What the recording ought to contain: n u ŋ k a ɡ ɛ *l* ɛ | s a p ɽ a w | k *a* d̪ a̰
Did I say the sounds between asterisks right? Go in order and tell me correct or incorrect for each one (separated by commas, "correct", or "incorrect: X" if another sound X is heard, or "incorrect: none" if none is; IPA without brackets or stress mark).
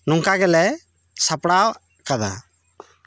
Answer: correct, correct